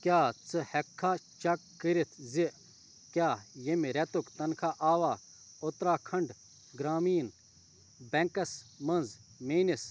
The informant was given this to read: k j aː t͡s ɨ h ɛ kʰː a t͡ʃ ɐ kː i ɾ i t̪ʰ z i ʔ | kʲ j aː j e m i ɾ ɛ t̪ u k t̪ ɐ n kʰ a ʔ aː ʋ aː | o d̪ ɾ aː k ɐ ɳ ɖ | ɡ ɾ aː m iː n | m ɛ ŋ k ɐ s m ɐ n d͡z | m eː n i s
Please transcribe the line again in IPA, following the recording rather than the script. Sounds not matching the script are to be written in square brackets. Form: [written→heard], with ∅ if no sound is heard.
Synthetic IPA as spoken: k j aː t͡s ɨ h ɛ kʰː a t͡ʃ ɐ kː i ɾ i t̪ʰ z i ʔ | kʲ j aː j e m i ɾ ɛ t̪ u k t̪ ɐ n kʰ a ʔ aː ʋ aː | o [d̪→t̪] ɾ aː [k→kʰ] ɐ ɳ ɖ | ɡ ɾ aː m iː n | [m→b] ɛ ŋ k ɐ s m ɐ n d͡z | m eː n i s